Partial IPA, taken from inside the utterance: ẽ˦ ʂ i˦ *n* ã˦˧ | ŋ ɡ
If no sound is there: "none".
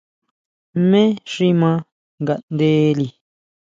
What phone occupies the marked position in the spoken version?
m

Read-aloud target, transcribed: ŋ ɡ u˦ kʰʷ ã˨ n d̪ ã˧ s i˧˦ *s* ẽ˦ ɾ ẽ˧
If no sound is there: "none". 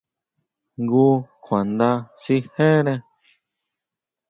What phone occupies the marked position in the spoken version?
h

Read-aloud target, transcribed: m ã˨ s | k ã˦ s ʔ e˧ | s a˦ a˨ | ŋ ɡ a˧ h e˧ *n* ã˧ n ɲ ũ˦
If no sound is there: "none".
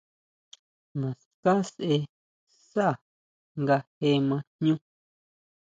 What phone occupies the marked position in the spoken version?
m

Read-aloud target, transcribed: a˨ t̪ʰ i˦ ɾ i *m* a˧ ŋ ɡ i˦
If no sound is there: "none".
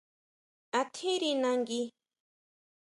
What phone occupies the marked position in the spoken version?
n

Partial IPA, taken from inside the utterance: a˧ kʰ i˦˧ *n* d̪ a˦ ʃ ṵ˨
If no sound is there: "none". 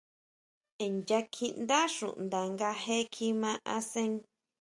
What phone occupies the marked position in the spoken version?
n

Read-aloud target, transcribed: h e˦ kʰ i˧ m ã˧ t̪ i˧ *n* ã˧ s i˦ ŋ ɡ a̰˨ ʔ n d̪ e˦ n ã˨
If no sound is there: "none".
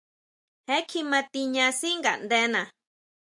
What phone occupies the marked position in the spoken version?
ɲ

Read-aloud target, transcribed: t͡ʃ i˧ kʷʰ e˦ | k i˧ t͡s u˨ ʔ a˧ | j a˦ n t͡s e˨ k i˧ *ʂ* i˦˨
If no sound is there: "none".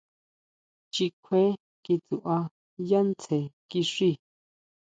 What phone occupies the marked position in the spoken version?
ʂ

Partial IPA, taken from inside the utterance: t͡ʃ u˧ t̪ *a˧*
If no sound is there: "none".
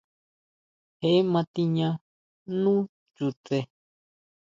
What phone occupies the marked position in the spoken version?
e˧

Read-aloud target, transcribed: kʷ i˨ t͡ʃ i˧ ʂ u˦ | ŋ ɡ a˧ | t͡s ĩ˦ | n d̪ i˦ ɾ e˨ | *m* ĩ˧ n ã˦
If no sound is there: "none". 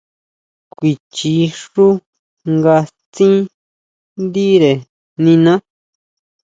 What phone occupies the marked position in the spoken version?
n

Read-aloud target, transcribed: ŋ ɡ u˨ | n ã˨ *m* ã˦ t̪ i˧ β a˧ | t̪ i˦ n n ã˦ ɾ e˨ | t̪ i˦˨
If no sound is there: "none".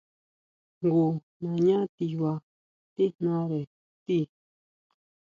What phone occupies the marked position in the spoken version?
ɲ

